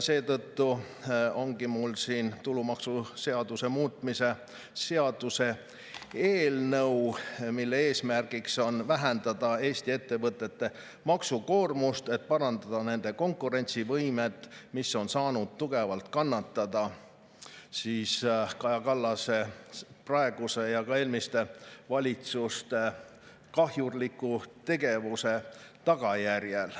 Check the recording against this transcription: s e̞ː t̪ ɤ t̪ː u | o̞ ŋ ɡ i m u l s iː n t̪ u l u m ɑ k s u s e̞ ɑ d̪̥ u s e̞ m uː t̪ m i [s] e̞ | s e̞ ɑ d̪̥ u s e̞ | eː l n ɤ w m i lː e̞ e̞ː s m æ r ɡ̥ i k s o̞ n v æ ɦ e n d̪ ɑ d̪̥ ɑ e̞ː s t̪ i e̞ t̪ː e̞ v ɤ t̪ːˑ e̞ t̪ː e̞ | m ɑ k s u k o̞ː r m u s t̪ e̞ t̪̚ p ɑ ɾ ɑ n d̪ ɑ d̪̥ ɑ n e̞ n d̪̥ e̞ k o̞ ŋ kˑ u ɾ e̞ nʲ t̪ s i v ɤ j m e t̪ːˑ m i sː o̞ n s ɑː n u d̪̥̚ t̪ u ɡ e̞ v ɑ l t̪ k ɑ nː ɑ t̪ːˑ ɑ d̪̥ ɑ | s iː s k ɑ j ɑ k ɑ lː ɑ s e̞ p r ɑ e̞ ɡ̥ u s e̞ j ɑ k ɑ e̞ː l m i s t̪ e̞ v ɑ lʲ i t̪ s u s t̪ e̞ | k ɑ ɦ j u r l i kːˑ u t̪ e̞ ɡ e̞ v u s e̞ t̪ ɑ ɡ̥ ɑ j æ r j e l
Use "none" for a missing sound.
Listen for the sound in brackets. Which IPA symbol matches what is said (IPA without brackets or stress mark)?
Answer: s